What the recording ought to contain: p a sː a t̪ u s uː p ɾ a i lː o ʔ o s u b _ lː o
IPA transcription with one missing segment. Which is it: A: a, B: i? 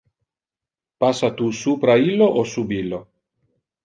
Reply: B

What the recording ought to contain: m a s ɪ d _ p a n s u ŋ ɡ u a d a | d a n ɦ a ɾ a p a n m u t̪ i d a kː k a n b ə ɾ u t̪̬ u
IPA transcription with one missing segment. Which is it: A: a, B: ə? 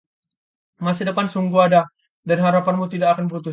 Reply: B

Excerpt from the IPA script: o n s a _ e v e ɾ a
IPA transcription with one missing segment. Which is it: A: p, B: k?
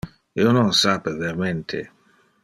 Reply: A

